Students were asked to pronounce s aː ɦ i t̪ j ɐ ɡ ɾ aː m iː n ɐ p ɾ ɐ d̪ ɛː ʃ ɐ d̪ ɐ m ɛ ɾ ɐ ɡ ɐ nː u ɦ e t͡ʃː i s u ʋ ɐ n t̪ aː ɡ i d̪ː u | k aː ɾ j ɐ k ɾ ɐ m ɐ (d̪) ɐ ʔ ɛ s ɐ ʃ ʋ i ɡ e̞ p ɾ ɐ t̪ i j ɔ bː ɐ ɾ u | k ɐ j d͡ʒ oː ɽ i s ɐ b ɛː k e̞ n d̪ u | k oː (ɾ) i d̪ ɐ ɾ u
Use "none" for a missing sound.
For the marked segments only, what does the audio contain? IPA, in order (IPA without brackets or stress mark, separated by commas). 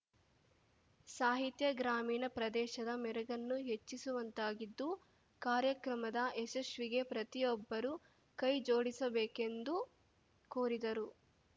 d̪, ɾ